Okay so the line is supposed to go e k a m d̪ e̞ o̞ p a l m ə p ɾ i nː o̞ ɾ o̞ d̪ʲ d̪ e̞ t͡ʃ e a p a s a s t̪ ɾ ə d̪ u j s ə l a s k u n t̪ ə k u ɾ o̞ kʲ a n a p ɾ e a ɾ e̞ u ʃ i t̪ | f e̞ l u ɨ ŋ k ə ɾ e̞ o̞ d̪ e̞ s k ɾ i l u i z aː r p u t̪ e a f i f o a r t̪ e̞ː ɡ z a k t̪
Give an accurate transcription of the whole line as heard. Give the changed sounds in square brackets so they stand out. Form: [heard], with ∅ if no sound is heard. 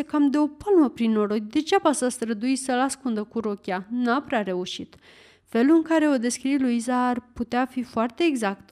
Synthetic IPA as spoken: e k a m d̪ e̞ o̞ p a l m ə p ɾ i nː o̞ ɾ o̞ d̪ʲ d̪ e̞ t͡ʃ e a p a s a s t̪ ɾ ə d̪ u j s ə l a s k u n [d̪] ə k u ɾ o̞ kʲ a n a p ɾ e a ɾ e̞ u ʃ i t̪ | f e̞ l u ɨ ŋ k [a] ɾ e̞ o̞ d̪ e̞ s k ɾ i l u i z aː r p u t̪ e a f i f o a r t̪ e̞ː ɡ z a k t̪